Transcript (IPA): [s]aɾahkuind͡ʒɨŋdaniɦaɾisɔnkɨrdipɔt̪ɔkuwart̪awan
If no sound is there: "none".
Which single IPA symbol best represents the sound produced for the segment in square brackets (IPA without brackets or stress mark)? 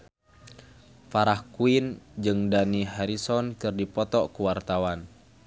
f